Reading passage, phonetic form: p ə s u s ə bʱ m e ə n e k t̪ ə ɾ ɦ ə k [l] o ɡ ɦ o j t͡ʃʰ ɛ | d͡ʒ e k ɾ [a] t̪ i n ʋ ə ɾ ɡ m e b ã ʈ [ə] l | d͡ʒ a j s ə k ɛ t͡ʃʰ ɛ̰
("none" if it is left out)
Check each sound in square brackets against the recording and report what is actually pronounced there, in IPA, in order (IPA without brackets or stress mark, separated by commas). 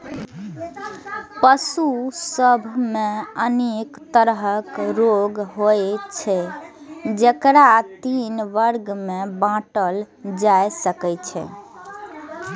ɾ, a, ə